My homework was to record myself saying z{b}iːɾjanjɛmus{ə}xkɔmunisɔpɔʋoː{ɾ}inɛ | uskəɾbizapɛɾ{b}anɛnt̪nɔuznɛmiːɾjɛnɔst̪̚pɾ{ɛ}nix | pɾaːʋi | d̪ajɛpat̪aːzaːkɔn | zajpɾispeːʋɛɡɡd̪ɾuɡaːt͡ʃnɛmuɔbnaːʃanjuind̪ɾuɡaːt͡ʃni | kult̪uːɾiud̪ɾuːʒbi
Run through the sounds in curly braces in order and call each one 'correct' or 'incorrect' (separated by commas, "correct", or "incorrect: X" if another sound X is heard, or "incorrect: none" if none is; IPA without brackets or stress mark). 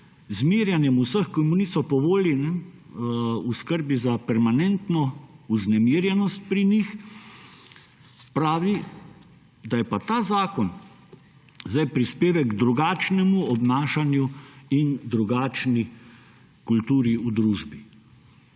incorrect: m, correct, incorrect: l, incorrect: m, incorrect: i